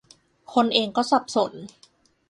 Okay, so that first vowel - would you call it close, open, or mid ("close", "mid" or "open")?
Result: mid